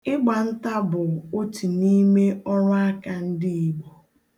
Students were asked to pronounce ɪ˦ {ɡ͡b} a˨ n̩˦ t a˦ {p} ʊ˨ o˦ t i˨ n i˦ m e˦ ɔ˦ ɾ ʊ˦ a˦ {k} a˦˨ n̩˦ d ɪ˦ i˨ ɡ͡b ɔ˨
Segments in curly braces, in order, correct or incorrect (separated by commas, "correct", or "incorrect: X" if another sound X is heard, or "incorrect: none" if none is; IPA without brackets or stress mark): correct, incorrect: b, correct